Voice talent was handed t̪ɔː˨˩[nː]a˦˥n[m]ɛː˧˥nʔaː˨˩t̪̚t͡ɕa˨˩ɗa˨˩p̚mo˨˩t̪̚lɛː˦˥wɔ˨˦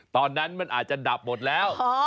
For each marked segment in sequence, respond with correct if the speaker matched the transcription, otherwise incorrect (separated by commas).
correct, correct